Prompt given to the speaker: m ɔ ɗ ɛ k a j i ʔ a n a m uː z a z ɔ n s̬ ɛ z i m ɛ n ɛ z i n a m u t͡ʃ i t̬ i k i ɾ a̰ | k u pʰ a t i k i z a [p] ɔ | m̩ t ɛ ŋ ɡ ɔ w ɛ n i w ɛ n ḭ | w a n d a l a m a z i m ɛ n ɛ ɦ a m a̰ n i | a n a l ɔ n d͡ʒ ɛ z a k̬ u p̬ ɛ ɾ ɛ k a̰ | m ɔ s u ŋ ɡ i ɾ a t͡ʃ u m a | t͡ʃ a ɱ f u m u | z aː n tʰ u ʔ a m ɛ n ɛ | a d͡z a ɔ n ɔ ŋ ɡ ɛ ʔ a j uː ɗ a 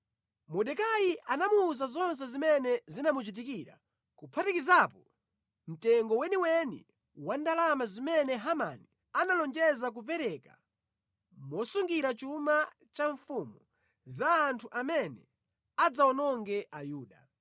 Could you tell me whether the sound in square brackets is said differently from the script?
no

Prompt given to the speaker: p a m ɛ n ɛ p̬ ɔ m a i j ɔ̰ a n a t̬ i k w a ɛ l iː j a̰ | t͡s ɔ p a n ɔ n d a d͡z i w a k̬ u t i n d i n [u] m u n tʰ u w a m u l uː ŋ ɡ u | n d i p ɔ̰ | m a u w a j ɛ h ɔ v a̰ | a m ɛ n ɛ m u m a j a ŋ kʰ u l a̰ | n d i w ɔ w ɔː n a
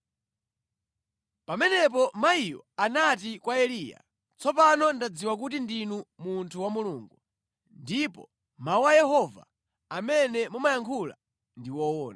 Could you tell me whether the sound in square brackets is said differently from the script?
no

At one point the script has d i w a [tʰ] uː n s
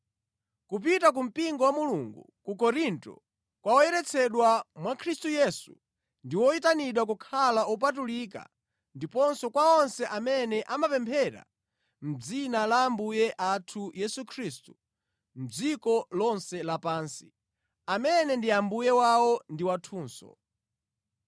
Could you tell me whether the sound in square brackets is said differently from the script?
no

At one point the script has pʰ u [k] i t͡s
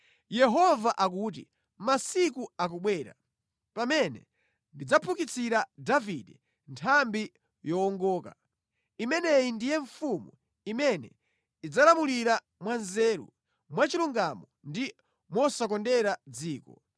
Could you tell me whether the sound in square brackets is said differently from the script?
no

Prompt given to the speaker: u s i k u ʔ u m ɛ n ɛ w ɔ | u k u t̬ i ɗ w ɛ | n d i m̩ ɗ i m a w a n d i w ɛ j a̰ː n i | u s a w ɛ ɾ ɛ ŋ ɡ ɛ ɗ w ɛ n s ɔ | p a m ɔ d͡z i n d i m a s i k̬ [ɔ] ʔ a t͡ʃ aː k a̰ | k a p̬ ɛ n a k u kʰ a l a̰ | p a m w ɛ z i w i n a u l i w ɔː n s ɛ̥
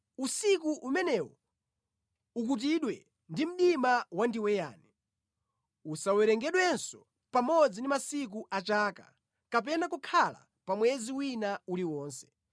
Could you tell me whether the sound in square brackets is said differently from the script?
yes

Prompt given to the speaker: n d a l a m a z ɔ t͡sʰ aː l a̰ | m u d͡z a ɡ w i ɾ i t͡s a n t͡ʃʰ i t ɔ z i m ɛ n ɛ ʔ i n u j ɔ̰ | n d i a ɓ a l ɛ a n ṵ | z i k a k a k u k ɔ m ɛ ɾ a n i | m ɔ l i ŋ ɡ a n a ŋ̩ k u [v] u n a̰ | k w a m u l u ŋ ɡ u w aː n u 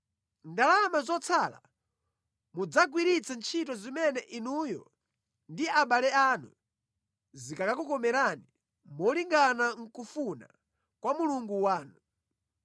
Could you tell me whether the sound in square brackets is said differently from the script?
yes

